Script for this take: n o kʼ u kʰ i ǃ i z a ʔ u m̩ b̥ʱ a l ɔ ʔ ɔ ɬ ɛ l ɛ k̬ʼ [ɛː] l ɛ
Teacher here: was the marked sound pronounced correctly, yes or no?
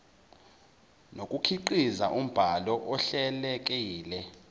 no